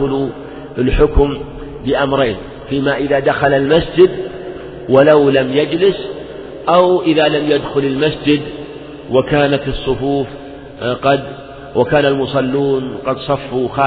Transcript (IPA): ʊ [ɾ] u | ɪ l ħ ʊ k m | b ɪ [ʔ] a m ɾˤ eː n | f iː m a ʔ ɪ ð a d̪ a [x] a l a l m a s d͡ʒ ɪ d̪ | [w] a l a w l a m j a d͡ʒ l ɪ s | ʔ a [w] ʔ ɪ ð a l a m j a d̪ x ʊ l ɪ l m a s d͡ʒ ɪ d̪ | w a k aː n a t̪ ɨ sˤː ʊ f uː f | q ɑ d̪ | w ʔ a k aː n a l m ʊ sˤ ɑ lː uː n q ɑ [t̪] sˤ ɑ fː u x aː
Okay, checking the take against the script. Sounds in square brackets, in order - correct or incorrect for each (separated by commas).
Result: incorrect, correct, correct, correct, correct, incorrect